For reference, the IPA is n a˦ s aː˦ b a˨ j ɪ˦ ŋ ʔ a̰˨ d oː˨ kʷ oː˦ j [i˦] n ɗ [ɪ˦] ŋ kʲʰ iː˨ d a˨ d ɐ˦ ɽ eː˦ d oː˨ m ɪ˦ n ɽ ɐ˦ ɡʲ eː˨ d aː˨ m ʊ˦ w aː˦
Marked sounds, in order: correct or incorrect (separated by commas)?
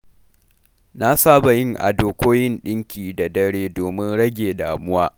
incorrect, correct